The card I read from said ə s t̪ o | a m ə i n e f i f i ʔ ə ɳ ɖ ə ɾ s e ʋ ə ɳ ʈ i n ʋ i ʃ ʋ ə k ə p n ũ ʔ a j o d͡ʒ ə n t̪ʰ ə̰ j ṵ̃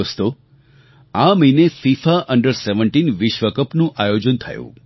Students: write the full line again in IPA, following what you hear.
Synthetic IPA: ə s t̪ o | a m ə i n e f i f a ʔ ə ɳ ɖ ə ɾ s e ʋ ə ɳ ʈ i n ʋ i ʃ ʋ ə k ə p n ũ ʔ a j o d͡ʒ ə n t̪ʰ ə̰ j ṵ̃

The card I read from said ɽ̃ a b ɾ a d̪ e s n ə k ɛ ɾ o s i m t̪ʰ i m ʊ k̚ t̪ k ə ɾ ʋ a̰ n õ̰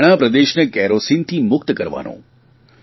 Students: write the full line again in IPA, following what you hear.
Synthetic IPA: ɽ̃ a p ɾ ə d̪ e ʃ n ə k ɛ ɾ o s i n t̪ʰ i m ʊ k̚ t̪ k ə ɾ ʋ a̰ n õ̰

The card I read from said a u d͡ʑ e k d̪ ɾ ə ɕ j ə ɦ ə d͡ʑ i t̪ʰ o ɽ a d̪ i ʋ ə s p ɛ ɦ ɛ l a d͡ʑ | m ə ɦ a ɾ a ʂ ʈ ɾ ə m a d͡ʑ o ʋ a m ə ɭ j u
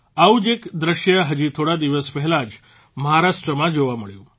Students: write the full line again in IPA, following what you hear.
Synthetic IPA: a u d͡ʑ e k d̪ ɾ ə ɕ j ə ɦ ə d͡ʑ i t̪ʰ o ɽ a d̪ i ʋ ə s p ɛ ɦ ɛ l a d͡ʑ | m ə ɦ a ɾ a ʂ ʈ ɾ ə m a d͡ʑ o ʋ a m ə ɭ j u

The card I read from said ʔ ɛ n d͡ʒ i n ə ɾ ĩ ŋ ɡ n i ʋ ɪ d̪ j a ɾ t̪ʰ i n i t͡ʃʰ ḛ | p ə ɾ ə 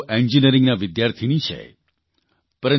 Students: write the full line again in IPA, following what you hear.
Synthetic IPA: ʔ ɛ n d͡ʒ i n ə ɾ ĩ ŋ ɡ n a ʋ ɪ d̪ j a ɾ t̪ʰ i n i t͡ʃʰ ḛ | p ə ɾ ə

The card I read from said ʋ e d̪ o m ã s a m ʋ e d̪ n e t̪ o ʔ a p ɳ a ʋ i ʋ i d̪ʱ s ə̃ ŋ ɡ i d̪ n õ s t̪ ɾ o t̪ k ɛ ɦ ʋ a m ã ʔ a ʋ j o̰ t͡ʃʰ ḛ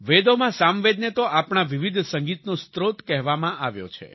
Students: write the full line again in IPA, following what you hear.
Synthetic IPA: ʋ e d̪ o m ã s a m ʋ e d̪ n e t̪ o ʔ a p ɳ a ʋ i ʋ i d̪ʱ s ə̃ ŋ ɡ i t̪ n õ s t̪ ɾ o t̪ k ɛ ɦ ʋ a m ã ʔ a ʋ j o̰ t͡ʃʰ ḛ

